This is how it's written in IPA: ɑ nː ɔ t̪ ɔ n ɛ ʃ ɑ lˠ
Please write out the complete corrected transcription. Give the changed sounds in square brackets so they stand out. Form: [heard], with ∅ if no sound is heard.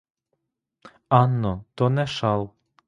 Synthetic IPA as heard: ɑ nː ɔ t̪ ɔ n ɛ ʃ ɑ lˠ